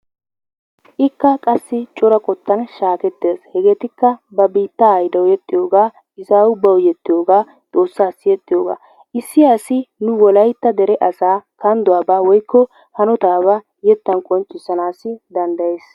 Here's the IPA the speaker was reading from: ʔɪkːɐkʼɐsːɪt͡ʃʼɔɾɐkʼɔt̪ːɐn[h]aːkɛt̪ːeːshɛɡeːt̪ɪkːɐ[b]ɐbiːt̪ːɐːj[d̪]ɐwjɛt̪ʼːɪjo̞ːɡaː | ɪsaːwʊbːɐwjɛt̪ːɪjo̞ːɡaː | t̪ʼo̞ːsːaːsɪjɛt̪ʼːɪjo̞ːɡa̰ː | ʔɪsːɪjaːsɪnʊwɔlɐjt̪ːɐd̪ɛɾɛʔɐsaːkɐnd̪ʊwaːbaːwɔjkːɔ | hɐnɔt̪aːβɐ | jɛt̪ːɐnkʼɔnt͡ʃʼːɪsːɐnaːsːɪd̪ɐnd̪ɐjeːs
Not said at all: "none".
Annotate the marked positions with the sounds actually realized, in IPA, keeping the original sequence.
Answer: ʃ, b, d̪

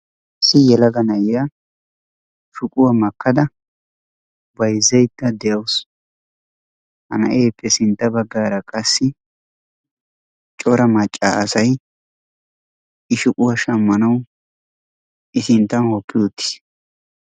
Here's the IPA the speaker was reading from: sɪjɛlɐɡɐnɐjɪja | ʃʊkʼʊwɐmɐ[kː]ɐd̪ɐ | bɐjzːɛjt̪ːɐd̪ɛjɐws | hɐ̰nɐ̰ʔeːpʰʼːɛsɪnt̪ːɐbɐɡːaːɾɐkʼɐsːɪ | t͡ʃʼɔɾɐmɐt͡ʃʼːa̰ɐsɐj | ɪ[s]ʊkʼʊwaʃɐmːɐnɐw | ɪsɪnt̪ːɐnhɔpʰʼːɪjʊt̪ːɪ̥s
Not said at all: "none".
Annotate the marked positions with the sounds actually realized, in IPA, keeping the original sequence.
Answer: kː, ʃ

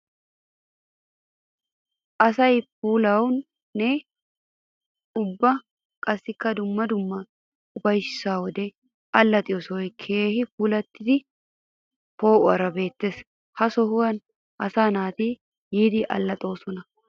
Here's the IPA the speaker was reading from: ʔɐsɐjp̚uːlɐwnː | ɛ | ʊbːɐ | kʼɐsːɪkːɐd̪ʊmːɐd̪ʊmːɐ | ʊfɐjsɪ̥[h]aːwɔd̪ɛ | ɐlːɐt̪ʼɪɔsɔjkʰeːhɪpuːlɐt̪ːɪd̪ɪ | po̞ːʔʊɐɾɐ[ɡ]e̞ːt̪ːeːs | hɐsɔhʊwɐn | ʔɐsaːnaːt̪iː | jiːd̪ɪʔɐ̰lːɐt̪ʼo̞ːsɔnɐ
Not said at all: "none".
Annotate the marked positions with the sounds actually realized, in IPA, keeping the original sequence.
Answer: s, b

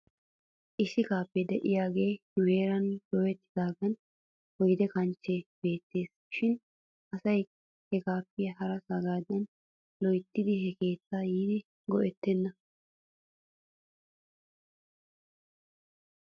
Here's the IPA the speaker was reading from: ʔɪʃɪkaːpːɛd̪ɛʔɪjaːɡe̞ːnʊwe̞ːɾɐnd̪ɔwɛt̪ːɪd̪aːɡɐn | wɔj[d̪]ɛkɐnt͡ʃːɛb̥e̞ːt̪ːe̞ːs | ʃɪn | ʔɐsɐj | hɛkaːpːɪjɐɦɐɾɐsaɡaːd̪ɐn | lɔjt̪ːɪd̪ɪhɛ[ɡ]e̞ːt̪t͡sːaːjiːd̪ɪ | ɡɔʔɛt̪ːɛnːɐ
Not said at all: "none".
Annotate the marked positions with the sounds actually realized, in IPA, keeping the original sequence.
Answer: d̪, k

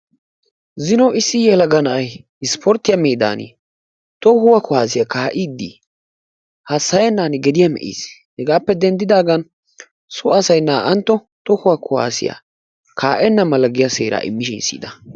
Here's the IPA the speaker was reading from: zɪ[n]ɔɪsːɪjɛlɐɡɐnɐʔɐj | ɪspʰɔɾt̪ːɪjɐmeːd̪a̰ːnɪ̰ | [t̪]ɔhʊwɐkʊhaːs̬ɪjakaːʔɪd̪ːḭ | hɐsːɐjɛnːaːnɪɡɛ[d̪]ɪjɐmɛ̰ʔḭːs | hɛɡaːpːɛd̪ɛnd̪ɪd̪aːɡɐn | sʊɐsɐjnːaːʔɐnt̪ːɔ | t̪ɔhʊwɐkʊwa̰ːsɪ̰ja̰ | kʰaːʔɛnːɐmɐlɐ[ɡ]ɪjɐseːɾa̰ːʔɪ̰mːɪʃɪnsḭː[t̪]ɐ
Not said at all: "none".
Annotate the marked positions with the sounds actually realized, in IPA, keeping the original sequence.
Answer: n, t̪, d̪, ɡ, d̪

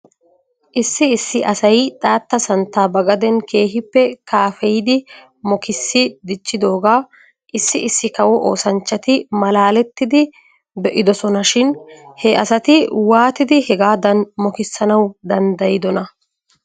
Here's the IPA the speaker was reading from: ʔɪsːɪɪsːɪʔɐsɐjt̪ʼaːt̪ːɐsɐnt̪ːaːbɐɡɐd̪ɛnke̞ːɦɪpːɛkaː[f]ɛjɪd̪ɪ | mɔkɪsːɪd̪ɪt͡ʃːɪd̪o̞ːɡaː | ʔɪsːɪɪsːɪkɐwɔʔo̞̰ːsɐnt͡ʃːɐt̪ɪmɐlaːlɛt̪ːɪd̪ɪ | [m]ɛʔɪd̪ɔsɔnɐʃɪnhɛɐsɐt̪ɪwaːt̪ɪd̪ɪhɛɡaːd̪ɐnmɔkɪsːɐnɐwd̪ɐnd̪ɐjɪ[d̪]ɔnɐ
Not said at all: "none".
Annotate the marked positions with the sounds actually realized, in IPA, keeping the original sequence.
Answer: f, b, d̪

